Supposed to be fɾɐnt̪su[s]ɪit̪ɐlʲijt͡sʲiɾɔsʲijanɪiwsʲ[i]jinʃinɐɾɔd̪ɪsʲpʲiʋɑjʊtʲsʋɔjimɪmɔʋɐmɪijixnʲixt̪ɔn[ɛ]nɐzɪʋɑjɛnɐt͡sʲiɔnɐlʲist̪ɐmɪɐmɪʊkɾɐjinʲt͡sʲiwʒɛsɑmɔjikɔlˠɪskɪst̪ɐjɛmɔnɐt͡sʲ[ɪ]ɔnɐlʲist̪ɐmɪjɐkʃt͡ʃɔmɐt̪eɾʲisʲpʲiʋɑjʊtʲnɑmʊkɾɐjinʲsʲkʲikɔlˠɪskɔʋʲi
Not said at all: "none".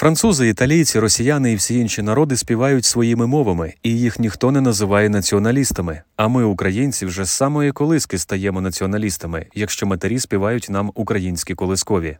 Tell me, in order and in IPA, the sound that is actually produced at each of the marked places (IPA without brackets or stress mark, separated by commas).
z, i, ɛ, i